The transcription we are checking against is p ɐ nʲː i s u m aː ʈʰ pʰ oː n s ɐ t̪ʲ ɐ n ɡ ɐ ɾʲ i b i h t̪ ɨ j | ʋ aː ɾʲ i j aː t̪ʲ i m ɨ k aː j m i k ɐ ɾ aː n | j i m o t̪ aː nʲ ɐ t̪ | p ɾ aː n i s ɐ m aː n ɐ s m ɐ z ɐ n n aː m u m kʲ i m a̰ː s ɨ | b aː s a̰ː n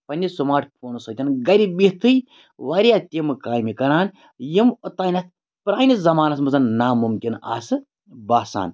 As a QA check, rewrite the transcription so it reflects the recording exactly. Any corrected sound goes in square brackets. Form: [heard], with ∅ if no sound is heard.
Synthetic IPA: p ɐ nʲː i s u m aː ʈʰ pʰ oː n s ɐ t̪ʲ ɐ n ɡ ɐ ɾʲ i b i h t̪ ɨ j | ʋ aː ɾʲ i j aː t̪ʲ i m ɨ k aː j m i k ɐ ɾ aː n | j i m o t̪ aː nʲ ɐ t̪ | p ɾ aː n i [z] ɐ m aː n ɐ s m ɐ z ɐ n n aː m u m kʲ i [n] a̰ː s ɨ | b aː s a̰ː n